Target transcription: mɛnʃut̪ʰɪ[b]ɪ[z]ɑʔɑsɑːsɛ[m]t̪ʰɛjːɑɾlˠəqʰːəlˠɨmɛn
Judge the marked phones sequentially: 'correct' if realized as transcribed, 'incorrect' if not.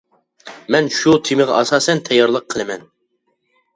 incorrect, incorrect, incorrect

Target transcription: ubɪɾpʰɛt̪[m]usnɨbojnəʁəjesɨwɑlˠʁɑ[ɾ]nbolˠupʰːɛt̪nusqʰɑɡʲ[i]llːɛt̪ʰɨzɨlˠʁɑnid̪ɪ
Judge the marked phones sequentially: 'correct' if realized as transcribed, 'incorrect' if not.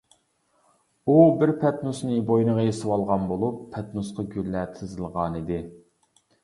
incorrect, incorrect, incorrect

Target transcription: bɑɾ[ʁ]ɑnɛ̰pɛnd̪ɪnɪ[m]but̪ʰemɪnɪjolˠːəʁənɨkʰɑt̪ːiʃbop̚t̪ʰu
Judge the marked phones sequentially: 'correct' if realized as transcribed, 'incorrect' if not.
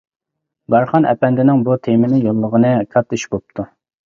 incorrect, incorrect

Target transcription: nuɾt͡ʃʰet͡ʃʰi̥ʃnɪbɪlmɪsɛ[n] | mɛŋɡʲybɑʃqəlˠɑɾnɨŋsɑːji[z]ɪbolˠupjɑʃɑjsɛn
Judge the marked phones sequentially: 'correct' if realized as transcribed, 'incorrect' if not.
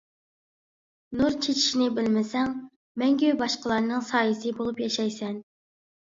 incorrect, incorrect

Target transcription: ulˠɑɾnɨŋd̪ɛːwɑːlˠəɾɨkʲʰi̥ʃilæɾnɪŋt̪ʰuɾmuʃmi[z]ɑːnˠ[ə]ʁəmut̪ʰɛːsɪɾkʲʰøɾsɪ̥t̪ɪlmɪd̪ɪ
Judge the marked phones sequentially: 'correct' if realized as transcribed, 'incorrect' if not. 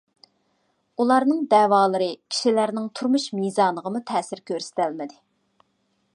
correct, correct

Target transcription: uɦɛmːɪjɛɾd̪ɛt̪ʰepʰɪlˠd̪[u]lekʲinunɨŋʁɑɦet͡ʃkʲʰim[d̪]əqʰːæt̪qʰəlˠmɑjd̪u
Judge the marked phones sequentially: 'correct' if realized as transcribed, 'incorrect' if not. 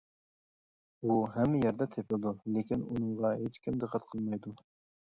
correct, correct

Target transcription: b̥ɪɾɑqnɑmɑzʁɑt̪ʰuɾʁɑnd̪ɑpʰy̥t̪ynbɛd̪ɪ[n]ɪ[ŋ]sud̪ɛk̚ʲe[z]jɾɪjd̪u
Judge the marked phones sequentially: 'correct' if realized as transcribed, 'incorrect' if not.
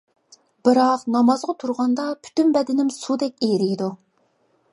correct, incorrect, incorrect

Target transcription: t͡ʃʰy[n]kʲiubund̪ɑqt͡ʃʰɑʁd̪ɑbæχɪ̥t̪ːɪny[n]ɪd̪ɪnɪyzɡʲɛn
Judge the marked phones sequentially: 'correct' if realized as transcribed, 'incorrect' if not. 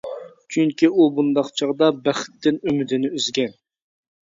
incorrect, incorrect

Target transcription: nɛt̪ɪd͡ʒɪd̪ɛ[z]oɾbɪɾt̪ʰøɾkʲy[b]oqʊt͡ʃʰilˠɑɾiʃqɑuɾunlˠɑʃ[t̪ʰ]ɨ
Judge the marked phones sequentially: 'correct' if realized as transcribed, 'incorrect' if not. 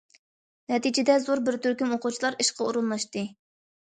correct, incorrect, incorrect

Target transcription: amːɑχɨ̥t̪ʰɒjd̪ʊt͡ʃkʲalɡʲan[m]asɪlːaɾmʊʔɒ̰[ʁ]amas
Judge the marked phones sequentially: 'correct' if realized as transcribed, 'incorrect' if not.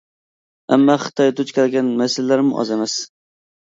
correct, incorrect

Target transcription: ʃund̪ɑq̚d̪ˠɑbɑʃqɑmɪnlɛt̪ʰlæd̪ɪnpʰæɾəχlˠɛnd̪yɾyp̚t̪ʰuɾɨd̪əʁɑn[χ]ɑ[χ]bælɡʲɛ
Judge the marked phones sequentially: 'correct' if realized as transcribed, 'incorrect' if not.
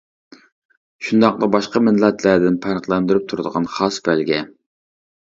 correct, incorrect

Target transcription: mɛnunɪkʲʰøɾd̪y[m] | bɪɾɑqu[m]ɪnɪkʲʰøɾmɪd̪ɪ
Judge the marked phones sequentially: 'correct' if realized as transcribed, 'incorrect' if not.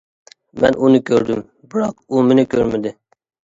correct, correct

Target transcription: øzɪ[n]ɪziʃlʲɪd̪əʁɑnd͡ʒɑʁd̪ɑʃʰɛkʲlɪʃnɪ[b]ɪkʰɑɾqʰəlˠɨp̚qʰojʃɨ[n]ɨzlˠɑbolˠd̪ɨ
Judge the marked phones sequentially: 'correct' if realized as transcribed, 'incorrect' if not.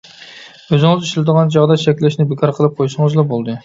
incorrect, correct, incorrect

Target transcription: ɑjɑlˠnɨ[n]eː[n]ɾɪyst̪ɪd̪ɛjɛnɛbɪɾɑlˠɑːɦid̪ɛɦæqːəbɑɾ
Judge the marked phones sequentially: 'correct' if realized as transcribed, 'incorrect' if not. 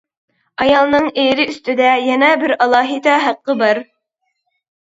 incorrect, incorrect

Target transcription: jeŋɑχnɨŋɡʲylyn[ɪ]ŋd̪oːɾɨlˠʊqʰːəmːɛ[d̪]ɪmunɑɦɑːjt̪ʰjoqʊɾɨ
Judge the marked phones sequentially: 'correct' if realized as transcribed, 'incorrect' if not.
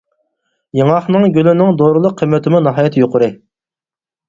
correct, incorrect

